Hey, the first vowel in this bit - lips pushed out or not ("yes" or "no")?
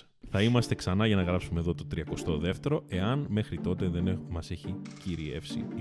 no